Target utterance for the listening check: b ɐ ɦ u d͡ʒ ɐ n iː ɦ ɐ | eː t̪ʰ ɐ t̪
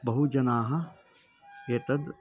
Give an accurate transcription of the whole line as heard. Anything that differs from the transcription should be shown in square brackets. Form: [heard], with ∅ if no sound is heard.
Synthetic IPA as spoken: b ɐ ɦ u d͡ʒ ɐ n [aː] ɦ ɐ | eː [t̪] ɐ [d̪]

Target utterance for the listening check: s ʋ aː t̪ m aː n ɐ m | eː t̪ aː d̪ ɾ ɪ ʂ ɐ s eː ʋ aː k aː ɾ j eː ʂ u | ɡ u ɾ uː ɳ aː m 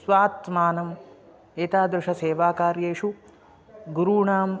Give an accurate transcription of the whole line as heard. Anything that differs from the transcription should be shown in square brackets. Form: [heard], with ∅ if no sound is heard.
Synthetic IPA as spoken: s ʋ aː t̪ m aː n ɐ m | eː t̪ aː d̪ ɾ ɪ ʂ ɐ s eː ʋ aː k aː ɾ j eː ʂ u | ɡ u ɾ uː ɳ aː m

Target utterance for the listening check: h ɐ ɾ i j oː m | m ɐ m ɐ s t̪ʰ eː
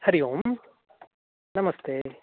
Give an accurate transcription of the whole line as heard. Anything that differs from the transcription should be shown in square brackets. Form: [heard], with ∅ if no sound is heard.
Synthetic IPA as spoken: h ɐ ɾ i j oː m | [n] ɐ m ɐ s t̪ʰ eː

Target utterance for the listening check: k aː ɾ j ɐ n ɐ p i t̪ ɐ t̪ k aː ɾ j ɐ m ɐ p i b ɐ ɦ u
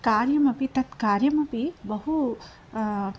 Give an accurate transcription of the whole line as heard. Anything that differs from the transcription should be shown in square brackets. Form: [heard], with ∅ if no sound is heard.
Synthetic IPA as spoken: k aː ɾ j ɐ [m] ɐ p i t̪ ɐ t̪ k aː ɾ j ɐ m ɐ p i b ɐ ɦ u

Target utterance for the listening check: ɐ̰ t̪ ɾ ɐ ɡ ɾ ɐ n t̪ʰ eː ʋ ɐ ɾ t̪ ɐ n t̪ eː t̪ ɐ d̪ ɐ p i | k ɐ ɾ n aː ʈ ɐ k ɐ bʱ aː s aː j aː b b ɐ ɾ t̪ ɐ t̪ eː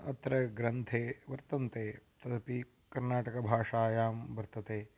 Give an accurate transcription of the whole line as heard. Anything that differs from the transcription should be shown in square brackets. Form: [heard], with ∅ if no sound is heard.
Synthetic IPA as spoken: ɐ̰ t̪ ɾ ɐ ɡ ɾ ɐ n t̪ʰ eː ʋ ɐ ɾ t̪ ɐ n t̪ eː t̪ ɐ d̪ ɐ p i | k ɐ ɾ n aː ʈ ɐ k ɐ bʱ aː [ʂ] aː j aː [m] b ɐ ɾ t̪ ɐ t̪ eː

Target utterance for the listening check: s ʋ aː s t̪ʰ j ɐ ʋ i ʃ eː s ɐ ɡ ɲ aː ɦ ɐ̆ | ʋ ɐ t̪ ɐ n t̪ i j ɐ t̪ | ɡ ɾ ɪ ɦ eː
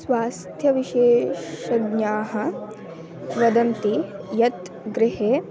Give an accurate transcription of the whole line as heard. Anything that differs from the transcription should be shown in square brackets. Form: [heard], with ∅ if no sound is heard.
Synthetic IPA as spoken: s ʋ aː s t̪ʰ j ɐ ʋ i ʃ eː [ʃ] ɐ ɡ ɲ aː ɦ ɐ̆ | ʋ ɐ [d̪] ɐ n t̪ i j ɐ t̪ | ɡ ɾ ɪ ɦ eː

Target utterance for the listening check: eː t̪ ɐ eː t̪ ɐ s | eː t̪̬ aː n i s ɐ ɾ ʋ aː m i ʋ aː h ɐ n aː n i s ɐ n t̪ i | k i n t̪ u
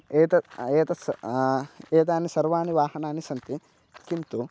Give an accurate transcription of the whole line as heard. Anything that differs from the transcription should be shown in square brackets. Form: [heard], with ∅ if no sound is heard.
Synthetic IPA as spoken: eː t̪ ɐ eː t̪ ɐ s | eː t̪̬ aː n i s ɐ ɾ ʋ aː [n] i ʋ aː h ɐ n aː n i s ɐ n t̪ i | k i n t̪ u

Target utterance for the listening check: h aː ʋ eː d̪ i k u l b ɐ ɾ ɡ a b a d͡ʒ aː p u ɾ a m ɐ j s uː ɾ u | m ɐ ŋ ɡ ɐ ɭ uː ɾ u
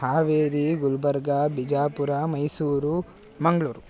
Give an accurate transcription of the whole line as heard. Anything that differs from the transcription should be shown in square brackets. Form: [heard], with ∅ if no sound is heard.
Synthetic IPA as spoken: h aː ʋ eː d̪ i [ɡ] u l b ɐ ɾ ɡ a b [i] d͡ʒ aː p u ɾ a m ɐ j s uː ɾ u | m ɐ ŋ ɡ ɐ ɭ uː ɾ u

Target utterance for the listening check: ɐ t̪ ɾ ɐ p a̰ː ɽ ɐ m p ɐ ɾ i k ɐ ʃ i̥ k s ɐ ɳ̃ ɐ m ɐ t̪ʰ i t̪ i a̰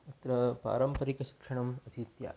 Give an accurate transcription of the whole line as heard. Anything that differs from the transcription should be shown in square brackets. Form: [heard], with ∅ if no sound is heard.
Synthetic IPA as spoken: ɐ t̪ ɾ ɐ p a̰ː [ɾ] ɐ m p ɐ ɾ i k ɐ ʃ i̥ k [ʂ] ɐ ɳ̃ ɐ m ɐ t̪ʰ i t̪ [j] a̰

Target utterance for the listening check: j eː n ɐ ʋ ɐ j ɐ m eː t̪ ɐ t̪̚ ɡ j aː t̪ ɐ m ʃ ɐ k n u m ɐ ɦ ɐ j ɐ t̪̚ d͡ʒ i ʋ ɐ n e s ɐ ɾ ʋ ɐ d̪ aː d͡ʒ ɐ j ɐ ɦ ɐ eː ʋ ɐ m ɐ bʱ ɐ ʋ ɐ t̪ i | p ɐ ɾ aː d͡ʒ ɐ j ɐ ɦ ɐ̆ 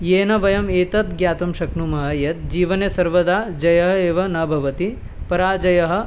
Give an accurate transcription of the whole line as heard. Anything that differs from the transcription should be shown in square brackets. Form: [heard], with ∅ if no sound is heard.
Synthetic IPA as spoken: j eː n ɐ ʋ ɐ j ɐ m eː t̪ ɐ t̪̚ ɡ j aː t̪ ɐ m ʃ ɐ k n u m ɐ ɦ ɐ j ɐ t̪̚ d͡ʒ [iː] ʋ ɐ n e s ɐ ɾ ʋ ɐ d̪ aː d͡ʒ ɐ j ɐ ɦ ɐ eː ʋ ɐ [n] ɐ bʱ ɐ ʋ ɐ t̪ i | p ɐ ɾ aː d͡ʒ ɐ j ɐ ɦ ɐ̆

